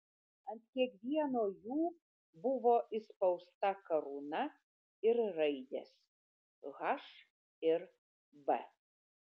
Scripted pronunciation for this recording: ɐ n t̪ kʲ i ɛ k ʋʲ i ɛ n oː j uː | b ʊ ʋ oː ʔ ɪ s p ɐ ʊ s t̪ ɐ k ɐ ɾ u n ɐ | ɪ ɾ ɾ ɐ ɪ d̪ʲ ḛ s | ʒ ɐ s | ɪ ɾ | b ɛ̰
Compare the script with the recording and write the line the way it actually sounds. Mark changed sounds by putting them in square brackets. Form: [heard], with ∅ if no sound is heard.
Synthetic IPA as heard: ɐ n t̪ kʲ i ɛ k ʋʲ i ɛ n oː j uː | b ʊ ʋ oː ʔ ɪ s p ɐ ʊ s t̪ ɐ k ɐ ɾ u n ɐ | ɪ ɾ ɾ ɐ ɪ d̪ʲ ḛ s | [ɣ] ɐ [ʃ] | ɪ ɾ | b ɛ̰